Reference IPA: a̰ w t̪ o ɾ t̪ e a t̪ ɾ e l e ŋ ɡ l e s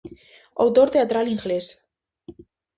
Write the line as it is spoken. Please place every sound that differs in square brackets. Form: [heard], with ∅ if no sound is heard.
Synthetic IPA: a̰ w t̪ o ɾ t̪ e a t̪ ɾ [a] l [i] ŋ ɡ l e s